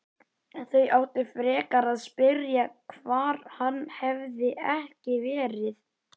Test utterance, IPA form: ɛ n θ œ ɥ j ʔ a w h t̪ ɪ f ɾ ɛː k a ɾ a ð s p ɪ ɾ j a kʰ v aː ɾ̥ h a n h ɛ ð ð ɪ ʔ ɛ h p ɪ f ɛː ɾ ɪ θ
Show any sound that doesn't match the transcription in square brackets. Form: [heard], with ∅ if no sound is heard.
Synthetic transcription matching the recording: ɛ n θ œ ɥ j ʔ a w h t̪ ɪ f ɾ ɛː k a ɾ a ð s p ɪ ɾ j a kʰ v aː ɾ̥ h a [nː] h ɛ [v] ð ɪ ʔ ɛ h [c] ɪ [v] ɛː ɾ ɪ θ